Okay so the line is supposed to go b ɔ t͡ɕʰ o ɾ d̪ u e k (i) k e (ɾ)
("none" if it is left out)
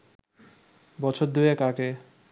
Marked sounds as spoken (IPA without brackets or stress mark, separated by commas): a, none